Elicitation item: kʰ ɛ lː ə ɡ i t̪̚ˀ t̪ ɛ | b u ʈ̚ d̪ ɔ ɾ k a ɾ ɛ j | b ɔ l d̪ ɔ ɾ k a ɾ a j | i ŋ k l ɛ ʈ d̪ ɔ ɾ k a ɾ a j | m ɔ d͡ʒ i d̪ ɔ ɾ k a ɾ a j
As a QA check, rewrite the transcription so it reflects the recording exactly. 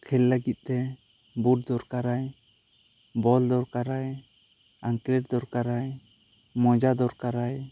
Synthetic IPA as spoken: kʰ ɛ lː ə ɡ i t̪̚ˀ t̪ ɛ | b u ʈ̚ d̪ ɔ ɾ k a ɾ a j | b ɔ l d̪ ɔ ɾ k a ɾ a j | a ŋ k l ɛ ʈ d̪ ɔ ɾ k a ɾ a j | m ɔ d͡ʒ a d̪ ɔ ɾ k a ɾ a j